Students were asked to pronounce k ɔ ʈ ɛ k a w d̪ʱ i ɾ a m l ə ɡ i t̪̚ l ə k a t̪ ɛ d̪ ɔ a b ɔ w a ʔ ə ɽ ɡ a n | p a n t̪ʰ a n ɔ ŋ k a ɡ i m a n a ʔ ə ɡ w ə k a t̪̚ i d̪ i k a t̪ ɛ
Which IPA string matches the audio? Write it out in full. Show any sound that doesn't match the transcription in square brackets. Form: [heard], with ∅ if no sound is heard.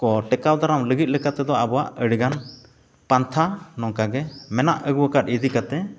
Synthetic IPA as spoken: k ɔ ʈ ɛ k a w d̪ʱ [a] ɾ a m l ə ɡ i t̪̚ l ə k a t̪ ɛ d̪ ɔ a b ɔ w a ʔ ə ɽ ɡ a n | p a n t̪ʰ a n ɔ ŋ k a ɡ [ɛ] m [ɛ] n a ʔ ə ɡ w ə k a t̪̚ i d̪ i k a t̪ ɛ